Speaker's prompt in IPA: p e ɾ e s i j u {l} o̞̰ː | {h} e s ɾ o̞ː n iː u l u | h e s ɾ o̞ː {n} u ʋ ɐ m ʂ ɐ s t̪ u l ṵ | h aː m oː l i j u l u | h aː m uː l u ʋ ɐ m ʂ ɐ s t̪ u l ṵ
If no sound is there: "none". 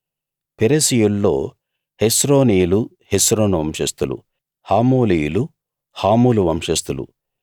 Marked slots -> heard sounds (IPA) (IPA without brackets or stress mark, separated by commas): lː, h, n